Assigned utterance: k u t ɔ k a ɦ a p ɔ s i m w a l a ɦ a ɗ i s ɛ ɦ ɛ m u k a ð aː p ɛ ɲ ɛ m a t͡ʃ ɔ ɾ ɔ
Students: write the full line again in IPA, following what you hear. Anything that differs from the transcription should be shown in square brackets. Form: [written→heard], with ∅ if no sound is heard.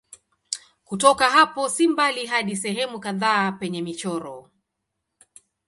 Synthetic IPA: k u t ɔ k a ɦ a p ɔ s i m [w→b] a l [a→i] ɦ a ɗ i s ɛ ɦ ɛ m u k a ð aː p ɛ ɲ ɛ m [a→i] t͡ʃ ɔ ɾ ɔ

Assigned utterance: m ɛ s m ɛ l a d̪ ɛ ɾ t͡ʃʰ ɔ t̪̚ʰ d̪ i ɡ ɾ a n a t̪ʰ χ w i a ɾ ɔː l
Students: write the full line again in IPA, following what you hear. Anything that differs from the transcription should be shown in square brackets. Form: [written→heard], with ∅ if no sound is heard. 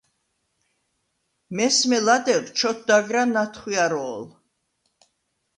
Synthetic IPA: m ɛ s m ɛ l a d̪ ɛ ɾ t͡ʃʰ ɔ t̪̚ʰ d̪ [i→a] ɡ ɾ a n a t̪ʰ χ w i a ɾ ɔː l

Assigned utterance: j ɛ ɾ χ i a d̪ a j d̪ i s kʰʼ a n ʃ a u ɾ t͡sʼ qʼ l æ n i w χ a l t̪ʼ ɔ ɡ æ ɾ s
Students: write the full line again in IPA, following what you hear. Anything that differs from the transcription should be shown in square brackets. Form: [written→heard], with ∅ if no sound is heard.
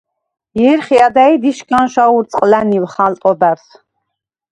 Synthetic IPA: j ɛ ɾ χ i a d̪ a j d̪ i [s→ʃ] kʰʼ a n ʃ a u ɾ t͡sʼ qʼ l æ n i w χ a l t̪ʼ ɔ [ɡ→b] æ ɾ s

